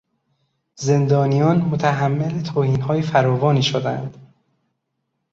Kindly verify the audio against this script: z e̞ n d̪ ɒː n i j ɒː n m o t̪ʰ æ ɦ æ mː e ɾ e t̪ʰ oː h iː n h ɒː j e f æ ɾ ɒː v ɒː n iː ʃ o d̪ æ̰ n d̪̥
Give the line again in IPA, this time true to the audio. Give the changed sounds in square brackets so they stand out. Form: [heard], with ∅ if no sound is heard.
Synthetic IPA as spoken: z e̞ n d̪ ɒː n i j ɒː n m o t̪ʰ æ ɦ æ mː e [l] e t̪ʰ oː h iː n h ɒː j e f æ ɾ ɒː v ɒː n iː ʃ o d̪ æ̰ n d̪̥